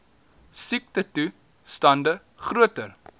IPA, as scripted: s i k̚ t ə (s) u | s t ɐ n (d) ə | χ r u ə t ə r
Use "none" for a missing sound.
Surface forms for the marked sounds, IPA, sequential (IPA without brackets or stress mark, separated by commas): t, d